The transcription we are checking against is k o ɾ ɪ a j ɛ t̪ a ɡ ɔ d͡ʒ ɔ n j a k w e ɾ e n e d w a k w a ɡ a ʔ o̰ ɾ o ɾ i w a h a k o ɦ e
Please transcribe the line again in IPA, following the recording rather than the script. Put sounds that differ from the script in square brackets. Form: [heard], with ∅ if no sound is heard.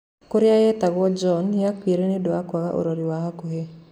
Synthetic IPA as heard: k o ɾ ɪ a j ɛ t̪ a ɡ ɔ d͡ʒ ɔ n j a k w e ɾ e n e d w a k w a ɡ a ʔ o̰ ɾ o ɾ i w a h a k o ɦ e